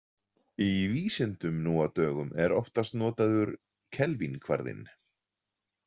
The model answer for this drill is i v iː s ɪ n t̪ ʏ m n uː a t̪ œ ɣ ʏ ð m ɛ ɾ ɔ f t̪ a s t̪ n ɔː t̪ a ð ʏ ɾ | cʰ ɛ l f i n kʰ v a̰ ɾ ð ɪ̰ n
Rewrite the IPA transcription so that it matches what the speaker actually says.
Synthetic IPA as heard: i v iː s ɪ n t̪ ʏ m n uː a t̪ œː ɣ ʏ m ɛ ɾ ɔ f t̪ a s t̪ n ɔː t̪ a ð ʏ ɾ | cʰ ɛ l v i n kʰ v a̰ ɾ ð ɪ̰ n